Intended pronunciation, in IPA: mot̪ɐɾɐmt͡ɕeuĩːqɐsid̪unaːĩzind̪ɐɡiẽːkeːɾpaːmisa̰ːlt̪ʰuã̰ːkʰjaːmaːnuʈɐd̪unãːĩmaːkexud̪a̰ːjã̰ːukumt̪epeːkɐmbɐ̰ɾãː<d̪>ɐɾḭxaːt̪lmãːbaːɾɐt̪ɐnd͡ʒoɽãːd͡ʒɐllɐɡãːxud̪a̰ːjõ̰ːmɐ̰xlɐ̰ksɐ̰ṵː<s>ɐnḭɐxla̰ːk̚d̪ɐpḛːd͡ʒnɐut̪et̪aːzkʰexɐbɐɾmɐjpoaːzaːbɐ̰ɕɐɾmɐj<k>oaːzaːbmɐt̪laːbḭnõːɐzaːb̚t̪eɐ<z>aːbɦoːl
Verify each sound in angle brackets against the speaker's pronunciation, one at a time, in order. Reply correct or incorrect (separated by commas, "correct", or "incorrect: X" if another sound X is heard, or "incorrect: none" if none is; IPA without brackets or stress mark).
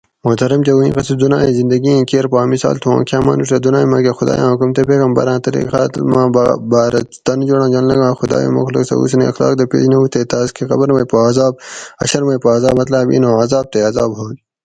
incorrect: t̪, correct, incorrect: p, correct